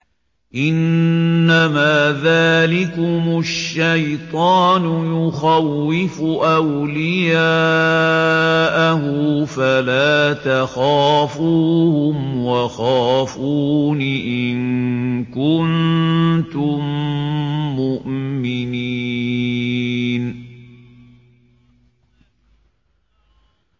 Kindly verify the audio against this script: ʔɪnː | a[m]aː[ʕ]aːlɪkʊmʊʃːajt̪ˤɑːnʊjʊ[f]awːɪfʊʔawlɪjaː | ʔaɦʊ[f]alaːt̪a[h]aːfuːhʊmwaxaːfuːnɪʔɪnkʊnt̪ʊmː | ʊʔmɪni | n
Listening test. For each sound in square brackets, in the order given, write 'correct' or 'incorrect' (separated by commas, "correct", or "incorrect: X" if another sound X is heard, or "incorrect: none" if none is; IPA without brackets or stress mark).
correct, incorrect: ð, incorrect: x, correct, incorrect: x